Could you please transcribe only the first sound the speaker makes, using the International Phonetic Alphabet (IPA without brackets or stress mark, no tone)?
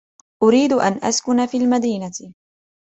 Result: ʔ